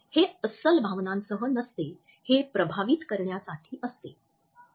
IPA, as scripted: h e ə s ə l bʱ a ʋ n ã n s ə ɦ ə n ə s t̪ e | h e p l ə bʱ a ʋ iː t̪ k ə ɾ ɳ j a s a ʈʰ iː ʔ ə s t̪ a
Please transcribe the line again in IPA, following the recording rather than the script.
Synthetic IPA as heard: h e ə s ə l bʱ a ʋ n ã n s ə ɦ ə n ə s t̪ e | h e p ɾ ə bʱ a ʋ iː t̪ k ə ɾ ɳ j a s a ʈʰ iː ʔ ə s t̪ e